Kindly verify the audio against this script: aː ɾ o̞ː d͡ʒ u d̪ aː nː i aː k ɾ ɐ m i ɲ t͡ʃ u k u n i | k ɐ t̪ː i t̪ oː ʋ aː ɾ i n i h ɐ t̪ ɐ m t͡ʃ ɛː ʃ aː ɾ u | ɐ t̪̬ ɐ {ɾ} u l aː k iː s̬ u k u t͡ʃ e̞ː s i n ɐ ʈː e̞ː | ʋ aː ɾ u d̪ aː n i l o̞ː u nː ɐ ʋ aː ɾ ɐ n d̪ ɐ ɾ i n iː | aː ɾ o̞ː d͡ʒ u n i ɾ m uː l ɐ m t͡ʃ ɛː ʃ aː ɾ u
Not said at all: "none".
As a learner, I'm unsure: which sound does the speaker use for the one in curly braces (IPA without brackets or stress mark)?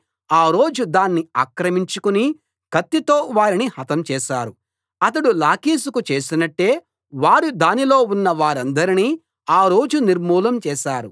ɽ